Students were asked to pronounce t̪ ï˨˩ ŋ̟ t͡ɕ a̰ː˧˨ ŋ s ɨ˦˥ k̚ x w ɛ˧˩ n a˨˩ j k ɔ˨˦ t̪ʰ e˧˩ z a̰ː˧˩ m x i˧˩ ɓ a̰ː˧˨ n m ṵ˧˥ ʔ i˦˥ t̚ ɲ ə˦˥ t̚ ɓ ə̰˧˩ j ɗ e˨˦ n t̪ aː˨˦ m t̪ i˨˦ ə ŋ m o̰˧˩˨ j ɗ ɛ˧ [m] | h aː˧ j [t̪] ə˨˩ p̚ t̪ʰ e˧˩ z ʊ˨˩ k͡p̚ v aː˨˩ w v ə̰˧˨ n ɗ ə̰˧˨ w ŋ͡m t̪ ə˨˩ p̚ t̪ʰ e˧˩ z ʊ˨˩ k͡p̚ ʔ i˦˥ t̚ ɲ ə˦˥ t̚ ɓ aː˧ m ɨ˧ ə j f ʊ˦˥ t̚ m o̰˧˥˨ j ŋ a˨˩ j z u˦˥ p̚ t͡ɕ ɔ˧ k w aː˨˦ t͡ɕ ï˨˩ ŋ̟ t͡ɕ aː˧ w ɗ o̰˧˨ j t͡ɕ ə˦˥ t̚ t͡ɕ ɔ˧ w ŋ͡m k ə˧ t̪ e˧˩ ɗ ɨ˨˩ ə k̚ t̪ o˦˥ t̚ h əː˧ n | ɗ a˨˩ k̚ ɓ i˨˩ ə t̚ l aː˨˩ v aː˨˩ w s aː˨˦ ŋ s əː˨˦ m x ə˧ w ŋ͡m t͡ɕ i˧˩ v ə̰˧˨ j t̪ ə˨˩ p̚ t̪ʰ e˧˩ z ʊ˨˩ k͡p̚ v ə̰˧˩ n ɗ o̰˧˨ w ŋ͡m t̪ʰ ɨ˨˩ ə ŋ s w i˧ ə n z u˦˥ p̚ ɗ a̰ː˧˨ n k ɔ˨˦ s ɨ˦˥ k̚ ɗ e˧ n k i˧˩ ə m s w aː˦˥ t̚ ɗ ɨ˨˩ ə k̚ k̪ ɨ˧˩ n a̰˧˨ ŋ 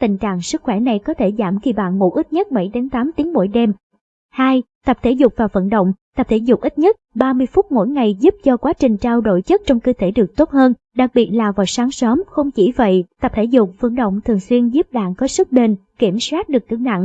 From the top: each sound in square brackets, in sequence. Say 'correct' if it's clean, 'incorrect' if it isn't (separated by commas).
correct, correct